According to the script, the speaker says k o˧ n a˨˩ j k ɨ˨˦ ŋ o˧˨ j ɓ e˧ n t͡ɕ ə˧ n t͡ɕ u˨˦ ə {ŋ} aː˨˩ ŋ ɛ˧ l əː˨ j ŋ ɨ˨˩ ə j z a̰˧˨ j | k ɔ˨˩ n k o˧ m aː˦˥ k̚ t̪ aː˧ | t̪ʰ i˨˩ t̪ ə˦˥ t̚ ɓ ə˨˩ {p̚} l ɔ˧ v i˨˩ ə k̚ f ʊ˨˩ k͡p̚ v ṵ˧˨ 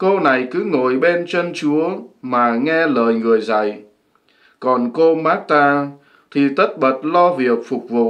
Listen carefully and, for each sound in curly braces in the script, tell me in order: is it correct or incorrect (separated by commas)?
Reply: incorrect, incorrect